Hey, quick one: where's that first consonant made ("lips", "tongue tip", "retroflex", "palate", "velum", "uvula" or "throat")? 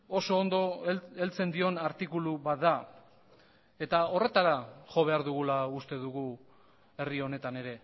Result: tongue tip